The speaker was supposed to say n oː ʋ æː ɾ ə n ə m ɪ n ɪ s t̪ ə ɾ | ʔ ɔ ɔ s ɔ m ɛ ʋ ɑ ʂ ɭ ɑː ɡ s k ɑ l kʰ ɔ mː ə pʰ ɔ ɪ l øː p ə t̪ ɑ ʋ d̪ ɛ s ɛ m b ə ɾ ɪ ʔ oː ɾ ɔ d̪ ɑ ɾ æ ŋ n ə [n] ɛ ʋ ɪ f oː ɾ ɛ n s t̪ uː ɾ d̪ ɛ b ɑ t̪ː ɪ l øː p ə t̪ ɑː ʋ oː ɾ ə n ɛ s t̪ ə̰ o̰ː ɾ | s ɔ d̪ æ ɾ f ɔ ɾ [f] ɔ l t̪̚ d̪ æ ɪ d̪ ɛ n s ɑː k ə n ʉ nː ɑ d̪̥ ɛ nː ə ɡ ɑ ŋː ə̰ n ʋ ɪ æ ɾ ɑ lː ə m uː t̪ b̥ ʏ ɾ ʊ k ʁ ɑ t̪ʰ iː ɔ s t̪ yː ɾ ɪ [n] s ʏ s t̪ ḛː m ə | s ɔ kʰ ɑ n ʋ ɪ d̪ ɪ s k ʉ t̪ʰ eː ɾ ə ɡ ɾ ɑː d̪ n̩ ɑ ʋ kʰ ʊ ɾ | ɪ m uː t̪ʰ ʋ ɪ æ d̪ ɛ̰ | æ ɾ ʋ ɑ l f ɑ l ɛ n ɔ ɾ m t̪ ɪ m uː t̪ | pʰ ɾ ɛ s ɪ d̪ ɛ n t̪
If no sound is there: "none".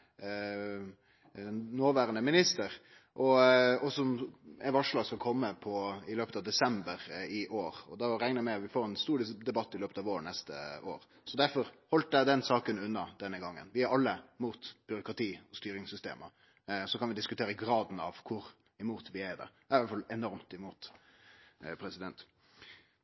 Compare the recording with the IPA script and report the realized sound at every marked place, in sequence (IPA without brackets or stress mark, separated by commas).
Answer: m, h, ŋ